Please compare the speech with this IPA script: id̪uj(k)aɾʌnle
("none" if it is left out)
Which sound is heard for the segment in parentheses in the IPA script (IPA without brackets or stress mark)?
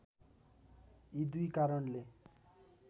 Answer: k